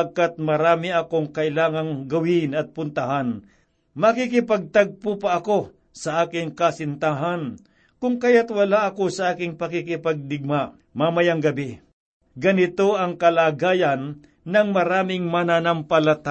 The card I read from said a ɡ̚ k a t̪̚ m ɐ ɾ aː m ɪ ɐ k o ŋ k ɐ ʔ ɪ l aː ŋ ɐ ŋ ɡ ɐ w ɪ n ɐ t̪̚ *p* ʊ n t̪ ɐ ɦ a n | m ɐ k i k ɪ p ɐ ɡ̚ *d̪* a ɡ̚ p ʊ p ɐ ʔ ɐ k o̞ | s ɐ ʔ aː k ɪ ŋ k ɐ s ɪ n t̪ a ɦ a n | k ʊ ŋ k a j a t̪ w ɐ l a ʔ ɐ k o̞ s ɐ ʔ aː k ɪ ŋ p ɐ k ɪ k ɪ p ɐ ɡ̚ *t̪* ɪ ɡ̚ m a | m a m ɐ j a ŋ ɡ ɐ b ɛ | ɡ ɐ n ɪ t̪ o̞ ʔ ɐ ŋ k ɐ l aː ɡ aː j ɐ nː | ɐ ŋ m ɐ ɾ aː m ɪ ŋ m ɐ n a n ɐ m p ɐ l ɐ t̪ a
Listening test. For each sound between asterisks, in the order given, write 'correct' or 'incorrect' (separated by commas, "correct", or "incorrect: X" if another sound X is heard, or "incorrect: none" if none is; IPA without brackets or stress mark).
correct, incorrect: t̪, incorrect: d̪